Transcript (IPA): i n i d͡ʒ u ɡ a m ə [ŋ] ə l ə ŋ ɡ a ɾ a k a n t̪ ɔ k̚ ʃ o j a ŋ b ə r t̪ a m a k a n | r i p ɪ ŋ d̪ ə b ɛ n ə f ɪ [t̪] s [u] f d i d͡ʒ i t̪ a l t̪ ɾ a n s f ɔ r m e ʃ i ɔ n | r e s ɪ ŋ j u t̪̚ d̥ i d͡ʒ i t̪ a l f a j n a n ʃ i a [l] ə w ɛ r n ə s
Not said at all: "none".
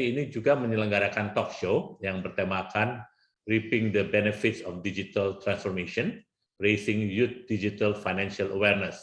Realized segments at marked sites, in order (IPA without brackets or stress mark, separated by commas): ɲ, t̪, ɔ, l